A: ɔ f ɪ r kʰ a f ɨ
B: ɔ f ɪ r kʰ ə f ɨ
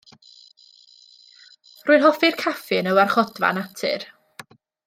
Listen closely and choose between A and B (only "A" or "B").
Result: A